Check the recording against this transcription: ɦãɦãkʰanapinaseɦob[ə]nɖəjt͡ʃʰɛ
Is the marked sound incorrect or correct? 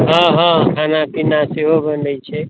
correct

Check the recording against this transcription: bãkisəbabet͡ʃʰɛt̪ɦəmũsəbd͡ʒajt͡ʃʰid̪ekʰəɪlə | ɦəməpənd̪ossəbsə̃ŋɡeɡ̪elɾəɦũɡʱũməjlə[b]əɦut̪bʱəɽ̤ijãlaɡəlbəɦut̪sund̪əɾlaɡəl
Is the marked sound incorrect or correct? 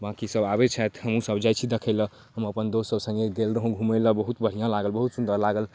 correct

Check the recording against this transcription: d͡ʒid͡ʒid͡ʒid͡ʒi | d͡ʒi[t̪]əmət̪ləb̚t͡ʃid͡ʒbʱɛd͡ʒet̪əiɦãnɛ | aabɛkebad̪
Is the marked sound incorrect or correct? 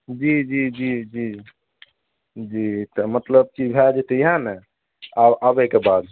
correct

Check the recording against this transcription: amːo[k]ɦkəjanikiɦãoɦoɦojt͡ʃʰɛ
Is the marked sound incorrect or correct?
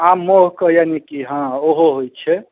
incorrect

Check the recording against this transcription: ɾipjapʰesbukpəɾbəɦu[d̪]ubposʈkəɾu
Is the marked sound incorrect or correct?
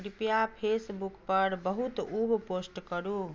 incorrect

